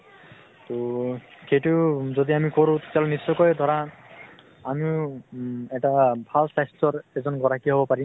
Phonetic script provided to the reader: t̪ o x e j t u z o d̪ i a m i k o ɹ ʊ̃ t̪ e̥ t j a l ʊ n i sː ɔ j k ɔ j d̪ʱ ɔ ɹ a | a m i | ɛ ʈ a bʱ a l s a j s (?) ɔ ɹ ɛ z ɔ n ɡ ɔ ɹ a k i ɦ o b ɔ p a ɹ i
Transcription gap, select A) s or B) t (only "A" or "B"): B